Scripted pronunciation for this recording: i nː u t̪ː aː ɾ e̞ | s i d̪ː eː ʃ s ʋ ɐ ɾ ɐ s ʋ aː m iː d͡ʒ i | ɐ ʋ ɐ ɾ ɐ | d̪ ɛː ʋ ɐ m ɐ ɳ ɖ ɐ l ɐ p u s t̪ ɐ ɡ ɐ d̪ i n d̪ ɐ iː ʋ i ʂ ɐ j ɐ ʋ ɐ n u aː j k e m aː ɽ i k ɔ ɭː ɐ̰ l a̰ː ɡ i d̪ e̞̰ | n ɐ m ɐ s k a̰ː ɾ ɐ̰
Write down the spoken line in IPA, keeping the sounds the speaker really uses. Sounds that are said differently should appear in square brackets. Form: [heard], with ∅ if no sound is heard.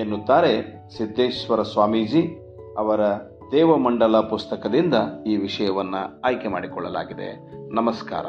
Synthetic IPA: [e] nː u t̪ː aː ɾ e̞ | s i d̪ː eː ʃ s ʋ ɐ ɾ ɐ s ʋ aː m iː d͡ʒ i | ɐ ʋ ɐ ɾ ɐ | d̪ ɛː ʋ ɐ m ɐ ɳ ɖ ɐ l ɐ p u s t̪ ɐ [k] ɐ d̪ i n d̪ ɐ iː ʋ i ʂ ɐ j ɐ ʋ ɐ [nː] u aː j k e m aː ɽ i k ɔ ɭː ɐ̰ l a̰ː ɡ i d̪ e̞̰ | n ɐ m ɐ s k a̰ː ɾ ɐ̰